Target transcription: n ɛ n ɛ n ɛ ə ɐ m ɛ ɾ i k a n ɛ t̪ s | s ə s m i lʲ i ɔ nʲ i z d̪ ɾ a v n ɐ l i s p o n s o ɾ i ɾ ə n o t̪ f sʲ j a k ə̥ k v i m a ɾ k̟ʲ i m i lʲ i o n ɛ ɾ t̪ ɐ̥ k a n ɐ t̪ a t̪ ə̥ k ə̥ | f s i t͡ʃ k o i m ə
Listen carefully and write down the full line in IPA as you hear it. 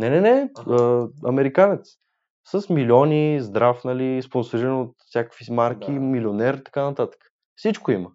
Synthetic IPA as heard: n ɛ n ɛ n ɛ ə ɐ m ɛ ɾ i k a n ɛ t̪ s | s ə s m i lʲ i ɔ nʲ i z d̪ ɾ a f n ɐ l i s p o n s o ɾ i ɾ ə n o t̪ f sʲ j a k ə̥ k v i m a ɾ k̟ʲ i m i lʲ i o n ɛ ɾ t̪ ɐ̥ k a n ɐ t̪ a t̪ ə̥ k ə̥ | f s i t͡ʃ k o i m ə